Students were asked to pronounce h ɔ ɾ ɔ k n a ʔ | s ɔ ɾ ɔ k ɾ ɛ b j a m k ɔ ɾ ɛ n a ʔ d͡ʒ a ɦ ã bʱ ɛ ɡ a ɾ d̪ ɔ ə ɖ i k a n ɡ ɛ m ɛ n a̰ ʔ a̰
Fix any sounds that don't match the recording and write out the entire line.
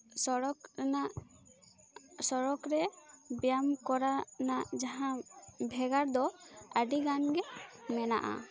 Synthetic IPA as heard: s ɔ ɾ ɔ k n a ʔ | s ɔ ɾ ɔ k ɾ ɛ b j a m k ɔ ɾ a n a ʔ d͡ʒ a ɦ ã bʱ ɛ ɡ a ɾ d̪ ɔ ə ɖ i ɡ a n ɡ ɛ m ɛ n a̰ ʔ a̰